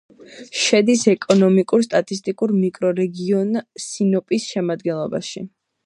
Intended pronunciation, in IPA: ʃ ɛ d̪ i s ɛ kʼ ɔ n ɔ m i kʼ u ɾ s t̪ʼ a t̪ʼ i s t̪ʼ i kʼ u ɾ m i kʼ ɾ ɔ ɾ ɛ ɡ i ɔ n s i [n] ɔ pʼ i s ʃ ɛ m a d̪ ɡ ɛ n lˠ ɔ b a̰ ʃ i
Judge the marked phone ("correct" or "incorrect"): correct